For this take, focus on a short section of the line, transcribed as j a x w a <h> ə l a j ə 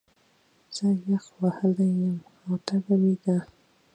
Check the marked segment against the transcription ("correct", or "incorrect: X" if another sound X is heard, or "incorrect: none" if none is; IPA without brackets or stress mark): correct